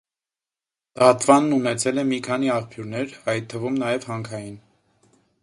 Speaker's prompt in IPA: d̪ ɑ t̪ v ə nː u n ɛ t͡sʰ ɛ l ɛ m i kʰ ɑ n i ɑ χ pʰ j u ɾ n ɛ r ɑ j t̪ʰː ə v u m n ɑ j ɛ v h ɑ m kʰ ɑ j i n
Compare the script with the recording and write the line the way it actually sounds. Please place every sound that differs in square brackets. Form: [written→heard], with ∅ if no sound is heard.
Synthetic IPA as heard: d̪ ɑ t̪ v [ə→ɑ] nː u n ɛ t͡sʰ ɛ l ɛ m i kʰ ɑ n i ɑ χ pʰ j u ɾ n ɛ [r→ɾ] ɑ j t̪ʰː ə v u m n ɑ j ɛ v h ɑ [m→ŋ] kʰ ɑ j i n

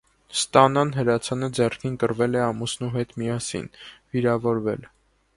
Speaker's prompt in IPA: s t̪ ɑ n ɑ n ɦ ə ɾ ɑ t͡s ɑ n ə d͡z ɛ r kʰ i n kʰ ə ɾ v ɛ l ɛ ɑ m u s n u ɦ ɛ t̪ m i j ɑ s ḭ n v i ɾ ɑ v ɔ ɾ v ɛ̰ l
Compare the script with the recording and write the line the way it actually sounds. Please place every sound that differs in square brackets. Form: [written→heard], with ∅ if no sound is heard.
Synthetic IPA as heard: s t̪ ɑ n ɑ n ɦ ə ɾ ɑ [t͡s→t͡sʰ] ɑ n ə d͡z ɛ r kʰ i n [kʰ→k] ə ɾ v ɛ l ɛ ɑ m u s n u ɦ ɛ t̪ m i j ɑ s ḭ n v i ɾ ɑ v ɔ ɾ v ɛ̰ l

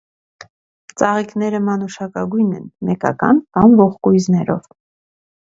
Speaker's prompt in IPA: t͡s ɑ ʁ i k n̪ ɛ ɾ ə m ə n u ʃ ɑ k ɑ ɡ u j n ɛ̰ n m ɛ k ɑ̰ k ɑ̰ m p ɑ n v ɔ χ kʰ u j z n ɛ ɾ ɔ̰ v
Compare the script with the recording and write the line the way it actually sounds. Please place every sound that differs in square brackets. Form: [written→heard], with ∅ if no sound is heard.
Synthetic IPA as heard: t͡s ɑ ʁ i k n̪ ɛ ɾ ə m [ə→ɑ] n u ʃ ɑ k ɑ ɡ u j n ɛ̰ n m ɛ k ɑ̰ k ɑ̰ [m→n] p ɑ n v ɔ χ [kʰ→k] u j z n ɛ ɾ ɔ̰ v

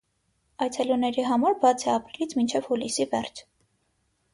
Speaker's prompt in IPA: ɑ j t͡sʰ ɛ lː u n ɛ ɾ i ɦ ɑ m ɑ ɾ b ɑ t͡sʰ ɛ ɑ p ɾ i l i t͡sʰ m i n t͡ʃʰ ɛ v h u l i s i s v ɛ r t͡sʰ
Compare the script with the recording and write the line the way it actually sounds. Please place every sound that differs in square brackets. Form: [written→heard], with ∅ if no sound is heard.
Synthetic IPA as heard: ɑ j t͡sʰ ɛ [lː→l] u n ɛ ɾ i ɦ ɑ m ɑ ɾ b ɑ t͡sʰ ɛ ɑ p ɾ i l i t͡sʰ m i n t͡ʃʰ ɛ v h u l i s i [s→∅] v ɛ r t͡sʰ

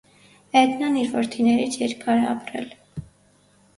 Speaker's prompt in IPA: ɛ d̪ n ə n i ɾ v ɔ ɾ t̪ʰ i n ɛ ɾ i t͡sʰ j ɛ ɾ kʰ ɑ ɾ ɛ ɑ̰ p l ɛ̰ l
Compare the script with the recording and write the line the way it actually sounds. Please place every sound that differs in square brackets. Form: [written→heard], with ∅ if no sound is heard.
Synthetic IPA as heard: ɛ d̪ n [ə→ɑ] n i ɾ v ɔ ɾ t̪ʰ i n ɛ ɾ i t͡sʰ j ɛ ɾ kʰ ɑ ɾ ɛ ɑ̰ p [l→ɾ] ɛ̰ l

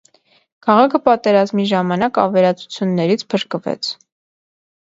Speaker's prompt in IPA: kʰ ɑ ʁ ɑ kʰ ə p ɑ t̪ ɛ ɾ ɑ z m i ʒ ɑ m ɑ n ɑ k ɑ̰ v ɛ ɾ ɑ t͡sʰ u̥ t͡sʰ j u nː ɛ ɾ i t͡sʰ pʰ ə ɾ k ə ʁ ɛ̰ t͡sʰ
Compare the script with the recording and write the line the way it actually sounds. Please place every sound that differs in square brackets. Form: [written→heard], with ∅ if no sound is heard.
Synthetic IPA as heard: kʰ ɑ ʁ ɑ kʰ ə p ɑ t̪ ɛ ɾ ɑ z m i ʒ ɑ m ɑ n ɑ k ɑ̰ v ɛ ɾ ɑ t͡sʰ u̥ t͡sʰ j u nː ɛ ɾ i t͡sʰ pʰ ə ɾ k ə [ʁ→v] ɛ̰ t͡sʰ

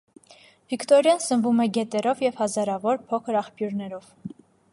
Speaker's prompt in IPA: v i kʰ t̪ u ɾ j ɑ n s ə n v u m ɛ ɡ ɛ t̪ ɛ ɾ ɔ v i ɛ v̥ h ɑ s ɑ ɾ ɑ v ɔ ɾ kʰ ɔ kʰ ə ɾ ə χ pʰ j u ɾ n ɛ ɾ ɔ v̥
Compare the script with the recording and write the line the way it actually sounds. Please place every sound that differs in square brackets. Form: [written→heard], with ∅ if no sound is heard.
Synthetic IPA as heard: v i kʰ t̪ [u→ɔ] ɾ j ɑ n s ə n v u m ɛ ɡ ɛ t̪ ɛ ɾ ɔ v [i→j] ɛ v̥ h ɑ [s→z] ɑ ɾ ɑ v ɔ ɾ [kʰ→pʰ] ɔ kʰ ə ɾ [ə→ɑ] χ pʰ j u ɾ n ɛ ɾ ɔ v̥

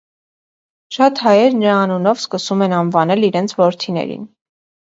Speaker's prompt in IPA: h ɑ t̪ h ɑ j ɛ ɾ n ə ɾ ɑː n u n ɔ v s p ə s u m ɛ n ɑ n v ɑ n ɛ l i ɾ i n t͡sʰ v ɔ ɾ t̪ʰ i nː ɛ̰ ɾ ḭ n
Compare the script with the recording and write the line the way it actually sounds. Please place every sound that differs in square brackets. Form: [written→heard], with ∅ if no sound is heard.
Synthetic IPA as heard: [h→ʃ] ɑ t̪ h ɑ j ɛ ɾ n ə ɾ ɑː n u n ɔ v s [p→k] ə s u m ɛ n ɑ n v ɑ n ɛ l i ɾ [i→ɛ] n t͡sʰ v ɔ ɾ t̪ʰ i [nː→n] ɛ̰ ɾ ḭ n

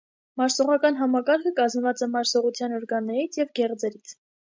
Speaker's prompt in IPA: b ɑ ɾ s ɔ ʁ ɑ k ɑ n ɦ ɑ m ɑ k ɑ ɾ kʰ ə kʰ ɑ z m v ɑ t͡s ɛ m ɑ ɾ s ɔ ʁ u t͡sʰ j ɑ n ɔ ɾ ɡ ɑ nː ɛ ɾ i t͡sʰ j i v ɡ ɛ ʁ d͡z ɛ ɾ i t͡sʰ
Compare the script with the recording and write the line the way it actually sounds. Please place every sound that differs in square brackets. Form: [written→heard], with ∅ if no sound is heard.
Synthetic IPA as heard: [b→m] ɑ ɾ s ɔ ʁ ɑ k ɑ n ɦ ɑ m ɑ k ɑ ɾ kʰ ə [kʰ→k] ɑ z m v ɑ t͡s ɛ m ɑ ɾ s ɔ ʁ u t͡sʰ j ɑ n ɔ ɾ ɡ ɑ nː ɛ ɾ i t͡sʰ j [i→ɛ] v ɡ ɛ ʁ d͡z ɛ ɾ i t͡sʰ

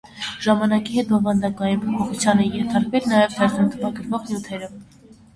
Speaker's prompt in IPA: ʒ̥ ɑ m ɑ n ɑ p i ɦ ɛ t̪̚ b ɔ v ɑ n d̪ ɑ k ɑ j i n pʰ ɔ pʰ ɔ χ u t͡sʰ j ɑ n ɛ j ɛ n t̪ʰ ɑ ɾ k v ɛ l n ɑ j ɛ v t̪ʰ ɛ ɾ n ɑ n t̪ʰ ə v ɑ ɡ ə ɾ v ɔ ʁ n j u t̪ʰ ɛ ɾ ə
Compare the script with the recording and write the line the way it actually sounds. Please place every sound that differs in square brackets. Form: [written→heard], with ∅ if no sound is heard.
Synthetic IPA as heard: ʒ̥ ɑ m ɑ n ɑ [p→k] i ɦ ɛ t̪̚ b ɔ v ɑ n d̪ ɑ k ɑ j i n pʰ ɔ pʰ ɔ χ u t͡sʰ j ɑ n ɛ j ɛ n t̪ʰ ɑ ɾ k v ɛ l n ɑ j ɛ v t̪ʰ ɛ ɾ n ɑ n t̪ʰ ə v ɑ ɡ ə ɾ v ɔ ʁ n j u t̪ʰ ɛ ɾ ə

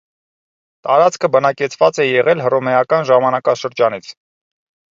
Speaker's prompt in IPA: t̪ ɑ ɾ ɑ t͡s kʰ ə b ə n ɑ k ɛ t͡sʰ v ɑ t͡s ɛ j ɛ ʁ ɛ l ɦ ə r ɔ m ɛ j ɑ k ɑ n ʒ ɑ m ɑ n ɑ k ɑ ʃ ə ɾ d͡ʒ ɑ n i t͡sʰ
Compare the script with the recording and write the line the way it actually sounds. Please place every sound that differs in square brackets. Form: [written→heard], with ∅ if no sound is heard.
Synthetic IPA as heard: t̪ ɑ ɾ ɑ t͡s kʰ ə b ə n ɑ k ɛ t͡sʰ v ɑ t͡s ɛ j ɛ ʁ ɛ l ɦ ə r ɔ m ɛ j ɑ k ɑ n ʒ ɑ m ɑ n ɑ k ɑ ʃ ə ɾ d͡ʒ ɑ n i t͡sʰ

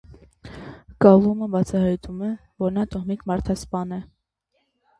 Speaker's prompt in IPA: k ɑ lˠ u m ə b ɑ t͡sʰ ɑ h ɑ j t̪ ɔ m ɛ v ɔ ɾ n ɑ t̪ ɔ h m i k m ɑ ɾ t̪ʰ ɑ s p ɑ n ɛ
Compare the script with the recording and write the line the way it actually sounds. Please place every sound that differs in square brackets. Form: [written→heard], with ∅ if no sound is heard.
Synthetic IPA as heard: k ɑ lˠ u m ə b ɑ t͡sʰ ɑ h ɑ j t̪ [ɔ→u] m ɛ v ɔ ɾ n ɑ t̪ ɔ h m i k m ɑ ɾ t̪ʰ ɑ s p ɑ n ɛ

